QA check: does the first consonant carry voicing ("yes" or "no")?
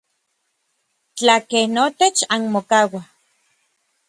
no